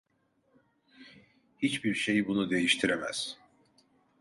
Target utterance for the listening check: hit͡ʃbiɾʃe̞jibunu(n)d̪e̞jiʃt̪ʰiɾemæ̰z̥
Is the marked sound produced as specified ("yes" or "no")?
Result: no